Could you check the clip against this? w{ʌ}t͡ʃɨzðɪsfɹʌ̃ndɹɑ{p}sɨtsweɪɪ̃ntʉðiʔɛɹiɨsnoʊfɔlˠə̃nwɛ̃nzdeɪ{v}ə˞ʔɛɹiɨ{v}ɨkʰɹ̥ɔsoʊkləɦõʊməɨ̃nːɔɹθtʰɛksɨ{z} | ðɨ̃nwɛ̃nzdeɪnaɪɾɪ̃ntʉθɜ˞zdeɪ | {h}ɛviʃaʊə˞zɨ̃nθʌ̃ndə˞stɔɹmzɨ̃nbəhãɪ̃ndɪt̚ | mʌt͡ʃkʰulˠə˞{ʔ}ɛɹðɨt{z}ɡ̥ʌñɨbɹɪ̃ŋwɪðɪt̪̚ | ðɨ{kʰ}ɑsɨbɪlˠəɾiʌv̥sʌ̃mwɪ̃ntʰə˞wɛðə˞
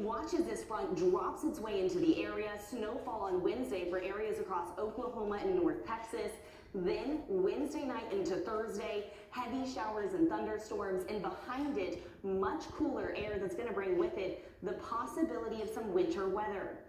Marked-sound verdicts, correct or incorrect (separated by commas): incorrect, correct, incorrect, incorrect, incorrect, correct, correct, incorrect, incorrect